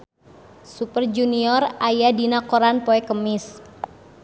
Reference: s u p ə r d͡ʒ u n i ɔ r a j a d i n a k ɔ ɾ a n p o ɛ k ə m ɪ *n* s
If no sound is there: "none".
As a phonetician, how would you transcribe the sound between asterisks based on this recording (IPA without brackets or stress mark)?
none